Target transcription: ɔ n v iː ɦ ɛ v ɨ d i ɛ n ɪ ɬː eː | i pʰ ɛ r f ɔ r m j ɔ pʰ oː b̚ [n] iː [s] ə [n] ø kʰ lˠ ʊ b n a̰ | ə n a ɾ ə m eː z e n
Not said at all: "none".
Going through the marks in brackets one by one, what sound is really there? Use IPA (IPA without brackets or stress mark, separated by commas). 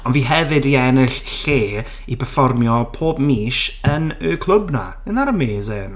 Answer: m, ʃ, n